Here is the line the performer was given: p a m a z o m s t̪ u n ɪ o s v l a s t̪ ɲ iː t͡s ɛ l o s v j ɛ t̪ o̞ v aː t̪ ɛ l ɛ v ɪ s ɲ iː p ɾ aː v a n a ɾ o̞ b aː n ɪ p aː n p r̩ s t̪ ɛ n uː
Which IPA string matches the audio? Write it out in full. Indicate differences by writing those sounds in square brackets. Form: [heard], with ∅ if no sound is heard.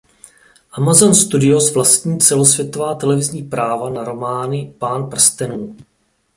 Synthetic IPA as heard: [ʔ] a m a z o [n] s t̪ u [d] ɪ o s v l a s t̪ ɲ iː t͡s ɛ l o s v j ɛ t̪ o̞ v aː t̪ ɛ l ɛ v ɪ [z] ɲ iː p ɾ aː v a n a ɾ o̞ [m] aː n ɪ p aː n p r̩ s t̪ ɛ n uː